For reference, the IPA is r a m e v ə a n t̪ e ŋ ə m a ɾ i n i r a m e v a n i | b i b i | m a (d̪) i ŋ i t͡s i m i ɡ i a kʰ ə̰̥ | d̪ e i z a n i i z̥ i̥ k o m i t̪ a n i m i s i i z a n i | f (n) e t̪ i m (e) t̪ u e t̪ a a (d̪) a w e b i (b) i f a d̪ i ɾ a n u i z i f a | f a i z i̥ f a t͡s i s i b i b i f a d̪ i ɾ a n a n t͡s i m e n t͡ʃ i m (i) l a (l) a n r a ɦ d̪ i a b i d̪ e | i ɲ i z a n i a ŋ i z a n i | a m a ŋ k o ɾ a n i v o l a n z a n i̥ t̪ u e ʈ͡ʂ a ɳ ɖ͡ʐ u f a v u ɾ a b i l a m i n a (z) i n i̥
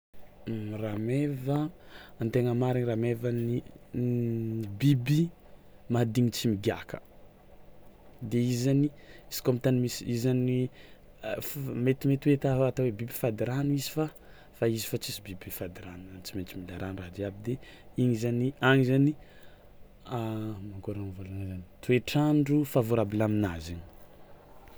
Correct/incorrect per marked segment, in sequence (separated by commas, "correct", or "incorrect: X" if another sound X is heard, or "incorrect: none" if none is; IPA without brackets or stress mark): correct, incorrect: m, correct, incorrect: t̪, correct, correct, incorrect: ɾ, correct